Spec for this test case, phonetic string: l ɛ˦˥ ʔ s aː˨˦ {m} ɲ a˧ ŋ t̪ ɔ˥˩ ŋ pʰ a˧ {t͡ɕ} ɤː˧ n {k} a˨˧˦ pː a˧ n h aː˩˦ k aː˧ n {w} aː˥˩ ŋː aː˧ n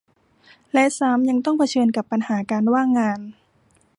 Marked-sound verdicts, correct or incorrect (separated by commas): correct, incorrect, correct, correct